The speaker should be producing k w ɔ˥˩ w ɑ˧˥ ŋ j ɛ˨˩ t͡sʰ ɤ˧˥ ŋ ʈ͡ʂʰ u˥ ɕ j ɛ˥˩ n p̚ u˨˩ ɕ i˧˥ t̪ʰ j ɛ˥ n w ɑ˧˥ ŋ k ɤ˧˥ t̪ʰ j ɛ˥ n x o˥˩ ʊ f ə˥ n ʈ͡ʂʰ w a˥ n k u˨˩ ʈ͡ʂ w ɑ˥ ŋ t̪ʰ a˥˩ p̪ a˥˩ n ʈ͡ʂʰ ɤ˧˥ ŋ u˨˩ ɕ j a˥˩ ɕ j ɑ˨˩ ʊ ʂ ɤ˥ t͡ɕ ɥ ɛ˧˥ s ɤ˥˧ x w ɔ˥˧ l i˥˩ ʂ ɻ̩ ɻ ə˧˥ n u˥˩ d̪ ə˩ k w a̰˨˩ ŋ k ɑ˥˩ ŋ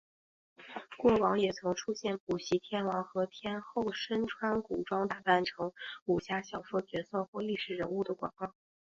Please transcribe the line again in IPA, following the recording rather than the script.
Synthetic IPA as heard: k w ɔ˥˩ w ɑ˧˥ ŋ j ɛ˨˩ t͡sʰ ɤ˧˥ ŋ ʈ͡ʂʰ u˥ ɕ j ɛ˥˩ n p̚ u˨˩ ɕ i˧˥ t̪ʰ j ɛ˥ n w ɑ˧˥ ŋ x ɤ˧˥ t̪ʰ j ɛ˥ n x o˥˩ ʊ ʂ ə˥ n ʈ͡ʂʰ w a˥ n k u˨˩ ʈ͡ʂ w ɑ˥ ŋ t̪ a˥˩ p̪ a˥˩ n ʈ͡ʂʰ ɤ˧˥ ŋ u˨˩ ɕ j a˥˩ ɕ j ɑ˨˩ ʊ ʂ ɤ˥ t͡ɕ ɥ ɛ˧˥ s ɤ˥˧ x w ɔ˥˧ l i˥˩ ʂ ɻ̩ ɻ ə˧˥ n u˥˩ d̪ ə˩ k w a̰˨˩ ŋ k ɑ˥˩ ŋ

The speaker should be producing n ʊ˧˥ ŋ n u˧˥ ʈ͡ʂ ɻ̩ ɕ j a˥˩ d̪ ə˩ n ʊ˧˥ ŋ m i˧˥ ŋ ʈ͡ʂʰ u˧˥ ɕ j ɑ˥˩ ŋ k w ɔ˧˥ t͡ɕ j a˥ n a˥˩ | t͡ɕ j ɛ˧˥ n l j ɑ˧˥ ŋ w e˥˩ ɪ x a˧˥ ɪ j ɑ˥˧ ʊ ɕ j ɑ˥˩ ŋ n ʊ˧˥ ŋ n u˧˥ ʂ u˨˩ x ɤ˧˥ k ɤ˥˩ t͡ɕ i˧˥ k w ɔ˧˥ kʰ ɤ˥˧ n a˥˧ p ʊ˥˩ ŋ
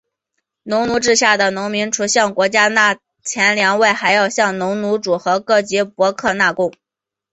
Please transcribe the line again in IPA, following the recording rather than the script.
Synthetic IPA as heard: n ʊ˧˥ ŋ n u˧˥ ʈ͡ʂ ɻ̩ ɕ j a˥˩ d̪ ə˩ n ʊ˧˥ ŋ m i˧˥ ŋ ʈ͡ʂʰ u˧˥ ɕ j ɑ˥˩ ŋ k w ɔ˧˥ t͡ɕ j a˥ n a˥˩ | t͡ɕʰ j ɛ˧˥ n l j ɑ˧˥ ŋ w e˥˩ ɪ x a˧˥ ɪ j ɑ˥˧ ʊ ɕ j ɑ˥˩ ŋ n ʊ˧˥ ŋ n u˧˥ ʈ͡ʂ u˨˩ x ɤ˧˥ k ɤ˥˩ t͡ɕ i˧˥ p w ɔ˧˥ kʰ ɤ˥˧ n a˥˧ k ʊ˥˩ ŋ

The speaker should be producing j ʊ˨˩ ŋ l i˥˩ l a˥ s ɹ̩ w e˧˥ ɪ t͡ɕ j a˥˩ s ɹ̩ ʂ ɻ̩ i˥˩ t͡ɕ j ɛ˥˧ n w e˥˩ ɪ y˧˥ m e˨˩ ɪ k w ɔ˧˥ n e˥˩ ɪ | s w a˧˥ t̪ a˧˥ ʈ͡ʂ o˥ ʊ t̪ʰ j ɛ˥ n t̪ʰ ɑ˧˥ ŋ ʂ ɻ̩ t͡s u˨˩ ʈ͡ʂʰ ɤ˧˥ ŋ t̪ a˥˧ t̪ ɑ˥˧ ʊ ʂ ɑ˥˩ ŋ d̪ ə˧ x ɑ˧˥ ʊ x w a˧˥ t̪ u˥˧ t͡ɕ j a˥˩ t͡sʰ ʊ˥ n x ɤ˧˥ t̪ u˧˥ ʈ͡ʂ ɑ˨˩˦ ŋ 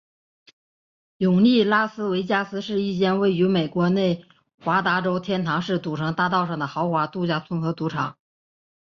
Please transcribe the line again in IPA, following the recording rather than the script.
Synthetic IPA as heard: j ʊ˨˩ ŋ l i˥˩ l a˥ s ɹ̩ w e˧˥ ɪ t͡ɕ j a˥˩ s ɹ̩ ʂ ɻ̩ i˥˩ t͡ɕ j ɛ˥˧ n w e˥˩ ɪ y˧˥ m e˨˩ ɪ k w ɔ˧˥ n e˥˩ ɪ | x w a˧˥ t̪ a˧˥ ʈ͡ʂ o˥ ʊ t̪ʰ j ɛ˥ n t̪ʰ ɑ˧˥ ŋ ʂ ɻ̩ t͡s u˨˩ ʈ͡ʂʰ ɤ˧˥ ŋ t̪ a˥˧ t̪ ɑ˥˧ ʊ ʂ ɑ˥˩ ŋ d̪ ə˩ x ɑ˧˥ ʊ x w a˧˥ t̪ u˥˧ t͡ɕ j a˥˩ t͡sʰ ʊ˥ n x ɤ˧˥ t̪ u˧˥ ʈ͡ʂʰ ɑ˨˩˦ ŋ

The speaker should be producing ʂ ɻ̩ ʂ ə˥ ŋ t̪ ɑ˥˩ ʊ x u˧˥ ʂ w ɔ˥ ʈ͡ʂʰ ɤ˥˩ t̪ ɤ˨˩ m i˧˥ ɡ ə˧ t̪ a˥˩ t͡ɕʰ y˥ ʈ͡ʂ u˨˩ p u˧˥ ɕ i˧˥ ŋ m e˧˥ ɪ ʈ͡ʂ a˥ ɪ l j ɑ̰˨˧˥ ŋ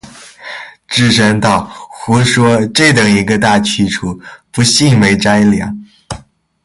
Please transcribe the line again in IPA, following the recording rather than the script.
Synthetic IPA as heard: ʈ͡ʂ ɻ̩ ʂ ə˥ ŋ t̪ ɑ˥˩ ʊ x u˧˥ ʂ w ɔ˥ ʈ͡ʂ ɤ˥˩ t̪ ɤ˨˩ ŋ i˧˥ ɡ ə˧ t̪ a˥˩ t͡ɕʰ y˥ ʈ͡ʂʰ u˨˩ p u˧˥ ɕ i˥˩ ŋ m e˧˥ ɪ ʈ͡ʂ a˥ ɪ l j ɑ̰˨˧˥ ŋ

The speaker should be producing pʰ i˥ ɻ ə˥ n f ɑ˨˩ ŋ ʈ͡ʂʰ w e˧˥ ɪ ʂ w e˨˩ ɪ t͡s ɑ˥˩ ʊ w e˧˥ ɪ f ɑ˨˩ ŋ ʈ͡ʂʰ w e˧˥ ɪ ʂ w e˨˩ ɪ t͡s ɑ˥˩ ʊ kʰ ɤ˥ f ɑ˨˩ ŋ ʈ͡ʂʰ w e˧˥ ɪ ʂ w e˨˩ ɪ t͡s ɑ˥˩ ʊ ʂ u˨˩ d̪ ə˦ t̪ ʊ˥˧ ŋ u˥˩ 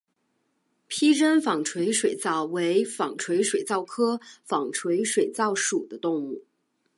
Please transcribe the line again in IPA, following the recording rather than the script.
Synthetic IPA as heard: pʰ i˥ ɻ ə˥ n f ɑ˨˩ ŋ ʈ͡ʂʰ w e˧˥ ɪ ʂ w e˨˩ ɪ t͡s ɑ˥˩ ʊ w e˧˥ ɪ f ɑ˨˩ ŋ ʈ͡ʂʰ w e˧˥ ɪ ʂ w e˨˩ ɪ t͡s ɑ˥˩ ʊ kʰ ɤ˥ f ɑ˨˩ ŋ ʈ͡ʂʰ w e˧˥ ɪ ʂ w e˨˩ ɪ t͡s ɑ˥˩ ʊ ʂ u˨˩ d̪ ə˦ t̪ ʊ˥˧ ŋ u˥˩

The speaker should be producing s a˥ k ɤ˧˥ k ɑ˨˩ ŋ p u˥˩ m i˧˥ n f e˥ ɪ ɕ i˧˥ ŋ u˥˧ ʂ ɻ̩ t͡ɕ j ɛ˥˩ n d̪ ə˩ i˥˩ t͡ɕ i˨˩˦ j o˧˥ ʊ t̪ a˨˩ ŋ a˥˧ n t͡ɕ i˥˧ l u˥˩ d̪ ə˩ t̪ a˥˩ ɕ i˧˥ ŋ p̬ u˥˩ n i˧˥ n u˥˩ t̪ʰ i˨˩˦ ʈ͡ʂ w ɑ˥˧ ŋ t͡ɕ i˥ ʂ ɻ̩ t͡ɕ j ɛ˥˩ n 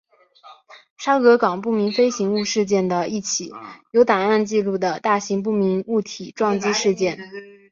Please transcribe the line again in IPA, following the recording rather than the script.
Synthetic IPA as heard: ʂ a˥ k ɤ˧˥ k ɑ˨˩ ŋ p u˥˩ m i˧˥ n f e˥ ɪ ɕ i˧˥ ŋ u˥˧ ʂ ɻ̩ t͡ɕ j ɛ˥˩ n d̪ ə˩ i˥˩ t͡ɕʰ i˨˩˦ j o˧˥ ʊ t̪ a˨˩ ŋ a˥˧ n t͡ɕ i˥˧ l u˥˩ d̪ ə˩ t̪ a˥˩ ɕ i˧˥ ŋ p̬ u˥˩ m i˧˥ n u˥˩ t̪ʰ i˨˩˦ ʈ͡ʂ w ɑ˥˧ ŋ t͡ɕ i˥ ʂ ɻ̩ t͡ɕ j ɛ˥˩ n

